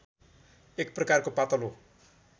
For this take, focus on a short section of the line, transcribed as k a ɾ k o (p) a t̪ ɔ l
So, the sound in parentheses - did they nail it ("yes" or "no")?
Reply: yes